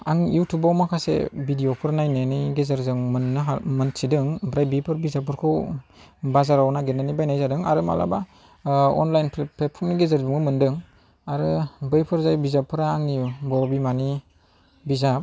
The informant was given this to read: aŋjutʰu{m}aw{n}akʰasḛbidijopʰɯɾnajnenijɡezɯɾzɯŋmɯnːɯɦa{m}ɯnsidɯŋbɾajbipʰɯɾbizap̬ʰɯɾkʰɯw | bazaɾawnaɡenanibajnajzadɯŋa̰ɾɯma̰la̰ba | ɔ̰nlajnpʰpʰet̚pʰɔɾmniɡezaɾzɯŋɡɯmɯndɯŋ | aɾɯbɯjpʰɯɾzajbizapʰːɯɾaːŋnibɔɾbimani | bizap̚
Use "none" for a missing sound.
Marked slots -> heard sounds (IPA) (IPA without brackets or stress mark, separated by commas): b, m, m